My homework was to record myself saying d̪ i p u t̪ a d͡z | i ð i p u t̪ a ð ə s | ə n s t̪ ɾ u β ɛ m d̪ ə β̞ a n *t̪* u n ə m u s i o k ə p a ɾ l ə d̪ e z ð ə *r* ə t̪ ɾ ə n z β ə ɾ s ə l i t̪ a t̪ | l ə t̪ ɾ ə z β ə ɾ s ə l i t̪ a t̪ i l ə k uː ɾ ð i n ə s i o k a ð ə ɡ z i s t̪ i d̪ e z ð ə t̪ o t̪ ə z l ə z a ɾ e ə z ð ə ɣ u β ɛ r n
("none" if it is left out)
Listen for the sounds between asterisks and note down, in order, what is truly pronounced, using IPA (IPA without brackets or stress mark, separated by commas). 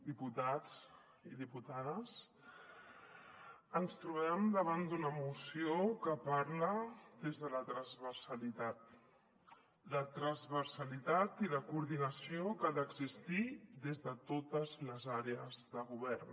d̪, l